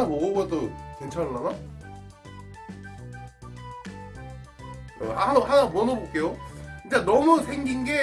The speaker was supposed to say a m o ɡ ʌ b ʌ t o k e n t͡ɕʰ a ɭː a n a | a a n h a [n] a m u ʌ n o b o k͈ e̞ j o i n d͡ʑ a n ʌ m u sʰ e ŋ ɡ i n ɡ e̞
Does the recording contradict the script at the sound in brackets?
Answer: no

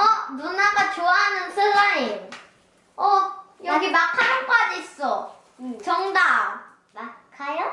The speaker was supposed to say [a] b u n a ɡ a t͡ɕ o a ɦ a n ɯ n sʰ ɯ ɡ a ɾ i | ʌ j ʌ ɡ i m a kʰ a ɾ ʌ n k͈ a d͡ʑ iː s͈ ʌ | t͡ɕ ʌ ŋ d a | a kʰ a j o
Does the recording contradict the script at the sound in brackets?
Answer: yes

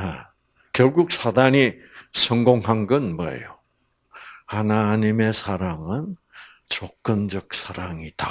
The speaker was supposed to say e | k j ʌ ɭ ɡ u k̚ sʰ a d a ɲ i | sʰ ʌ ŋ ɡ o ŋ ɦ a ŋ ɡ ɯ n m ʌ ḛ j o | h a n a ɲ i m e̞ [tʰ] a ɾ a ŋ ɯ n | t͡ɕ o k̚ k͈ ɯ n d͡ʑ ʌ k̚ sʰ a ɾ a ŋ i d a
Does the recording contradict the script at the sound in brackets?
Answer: yes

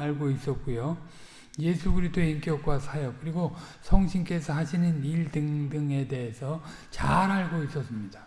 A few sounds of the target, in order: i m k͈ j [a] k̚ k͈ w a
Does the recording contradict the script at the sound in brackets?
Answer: yes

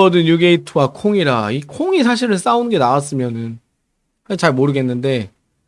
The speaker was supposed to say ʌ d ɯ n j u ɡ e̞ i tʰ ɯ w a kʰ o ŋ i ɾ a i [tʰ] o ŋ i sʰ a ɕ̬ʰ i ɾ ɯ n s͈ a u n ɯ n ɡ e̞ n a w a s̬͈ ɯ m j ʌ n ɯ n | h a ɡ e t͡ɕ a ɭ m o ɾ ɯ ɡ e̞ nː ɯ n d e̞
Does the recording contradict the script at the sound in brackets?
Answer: yes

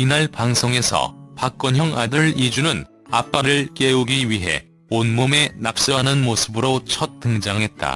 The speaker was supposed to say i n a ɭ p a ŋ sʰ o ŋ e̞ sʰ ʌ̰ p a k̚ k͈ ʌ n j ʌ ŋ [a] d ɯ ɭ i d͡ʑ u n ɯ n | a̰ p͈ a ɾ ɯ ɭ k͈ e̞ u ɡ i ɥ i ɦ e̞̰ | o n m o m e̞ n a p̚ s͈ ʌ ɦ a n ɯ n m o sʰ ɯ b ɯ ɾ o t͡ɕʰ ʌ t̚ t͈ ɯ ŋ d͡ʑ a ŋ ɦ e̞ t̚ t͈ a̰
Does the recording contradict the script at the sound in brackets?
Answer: no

